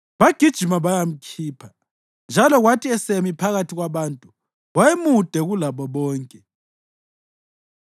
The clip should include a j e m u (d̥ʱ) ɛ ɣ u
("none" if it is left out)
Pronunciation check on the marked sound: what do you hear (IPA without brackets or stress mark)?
d̥ʱ